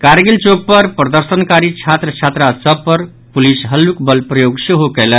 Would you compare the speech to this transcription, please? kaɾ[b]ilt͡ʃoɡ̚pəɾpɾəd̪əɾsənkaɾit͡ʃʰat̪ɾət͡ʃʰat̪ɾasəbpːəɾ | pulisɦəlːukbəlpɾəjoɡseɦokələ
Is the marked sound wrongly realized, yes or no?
yes